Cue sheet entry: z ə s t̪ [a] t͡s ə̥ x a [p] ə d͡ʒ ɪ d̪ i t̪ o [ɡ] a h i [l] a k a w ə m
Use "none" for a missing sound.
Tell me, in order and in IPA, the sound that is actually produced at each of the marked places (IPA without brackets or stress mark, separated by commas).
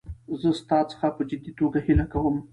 ɑ, p, ɡ, l